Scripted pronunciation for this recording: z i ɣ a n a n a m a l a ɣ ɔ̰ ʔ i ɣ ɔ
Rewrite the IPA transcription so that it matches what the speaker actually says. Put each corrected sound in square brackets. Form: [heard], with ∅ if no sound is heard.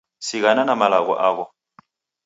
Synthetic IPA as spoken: [s] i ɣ a n a n a m a l a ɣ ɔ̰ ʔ [a] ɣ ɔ